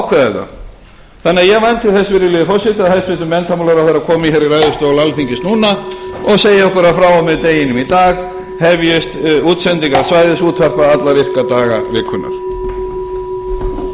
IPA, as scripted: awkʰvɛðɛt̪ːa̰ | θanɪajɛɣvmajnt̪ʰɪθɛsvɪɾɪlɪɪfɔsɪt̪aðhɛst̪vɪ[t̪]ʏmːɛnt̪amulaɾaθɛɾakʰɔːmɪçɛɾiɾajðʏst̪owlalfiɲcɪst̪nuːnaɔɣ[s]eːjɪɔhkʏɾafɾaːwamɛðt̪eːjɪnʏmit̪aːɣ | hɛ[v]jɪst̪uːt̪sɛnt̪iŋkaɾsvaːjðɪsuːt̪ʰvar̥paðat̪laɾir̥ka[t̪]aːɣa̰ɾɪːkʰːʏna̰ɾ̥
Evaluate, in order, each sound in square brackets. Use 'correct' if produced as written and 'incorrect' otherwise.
correct, correct, correct, correct

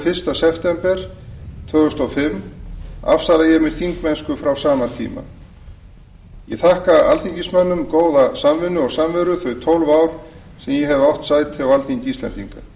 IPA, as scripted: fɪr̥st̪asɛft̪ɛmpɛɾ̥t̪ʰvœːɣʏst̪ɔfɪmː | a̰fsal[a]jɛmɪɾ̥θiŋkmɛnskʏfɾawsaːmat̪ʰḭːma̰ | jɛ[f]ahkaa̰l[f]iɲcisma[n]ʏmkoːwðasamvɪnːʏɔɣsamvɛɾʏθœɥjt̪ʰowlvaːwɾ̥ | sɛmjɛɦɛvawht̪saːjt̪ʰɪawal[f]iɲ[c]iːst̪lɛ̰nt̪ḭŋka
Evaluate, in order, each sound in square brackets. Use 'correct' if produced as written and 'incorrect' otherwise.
correct, incorrect, incorrect, incorrect, incorrect, correct

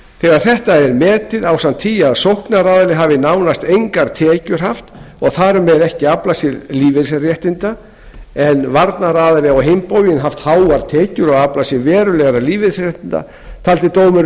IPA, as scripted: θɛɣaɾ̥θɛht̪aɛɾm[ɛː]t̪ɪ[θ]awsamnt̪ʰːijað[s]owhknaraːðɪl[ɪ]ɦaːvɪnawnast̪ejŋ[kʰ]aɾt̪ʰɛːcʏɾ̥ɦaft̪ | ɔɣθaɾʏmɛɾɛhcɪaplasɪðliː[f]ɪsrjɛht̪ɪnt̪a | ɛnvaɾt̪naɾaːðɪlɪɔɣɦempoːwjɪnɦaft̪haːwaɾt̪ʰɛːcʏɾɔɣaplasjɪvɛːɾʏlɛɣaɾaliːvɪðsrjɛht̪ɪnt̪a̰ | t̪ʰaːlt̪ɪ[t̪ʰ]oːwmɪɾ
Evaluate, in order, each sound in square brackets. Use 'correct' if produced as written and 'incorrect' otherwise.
correct, incorrect, correct, correct, incorrect, incorrect, incorrect

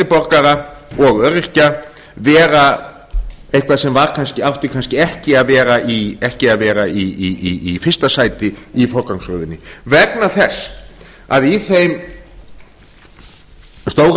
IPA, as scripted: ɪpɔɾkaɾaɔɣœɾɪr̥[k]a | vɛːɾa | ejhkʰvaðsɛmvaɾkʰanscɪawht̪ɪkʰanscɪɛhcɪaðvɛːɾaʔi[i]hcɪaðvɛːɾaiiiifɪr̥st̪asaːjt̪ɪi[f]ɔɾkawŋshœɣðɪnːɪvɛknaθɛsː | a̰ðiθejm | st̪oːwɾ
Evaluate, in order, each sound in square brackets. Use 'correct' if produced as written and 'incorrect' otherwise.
incorrect, incorrect, correct

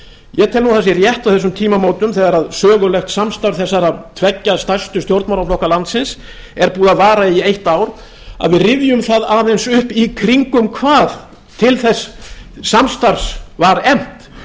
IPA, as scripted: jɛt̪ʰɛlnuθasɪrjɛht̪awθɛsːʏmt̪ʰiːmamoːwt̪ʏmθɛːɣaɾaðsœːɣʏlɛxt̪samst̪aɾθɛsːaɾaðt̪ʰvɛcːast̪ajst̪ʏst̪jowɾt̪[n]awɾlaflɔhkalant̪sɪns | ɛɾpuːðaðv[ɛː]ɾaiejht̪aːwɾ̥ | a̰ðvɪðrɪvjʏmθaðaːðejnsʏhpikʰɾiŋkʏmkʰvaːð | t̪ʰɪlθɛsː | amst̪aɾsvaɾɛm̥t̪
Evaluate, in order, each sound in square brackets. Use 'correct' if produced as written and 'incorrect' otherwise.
incorrect, incorrect

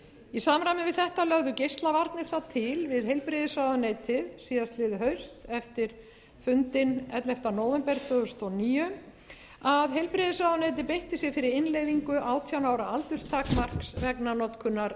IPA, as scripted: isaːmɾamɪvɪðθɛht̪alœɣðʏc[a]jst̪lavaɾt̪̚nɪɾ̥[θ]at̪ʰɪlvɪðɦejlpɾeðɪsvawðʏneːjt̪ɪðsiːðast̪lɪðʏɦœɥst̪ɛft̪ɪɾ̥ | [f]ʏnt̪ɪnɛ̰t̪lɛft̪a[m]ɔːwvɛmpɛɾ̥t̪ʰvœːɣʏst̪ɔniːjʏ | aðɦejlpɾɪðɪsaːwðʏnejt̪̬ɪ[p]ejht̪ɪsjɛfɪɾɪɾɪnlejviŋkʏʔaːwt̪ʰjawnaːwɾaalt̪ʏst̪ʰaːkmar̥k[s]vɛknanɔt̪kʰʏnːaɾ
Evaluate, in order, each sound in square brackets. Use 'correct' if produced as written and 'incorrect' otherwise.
incorrect, correct, correct, incorrect, correct, correct

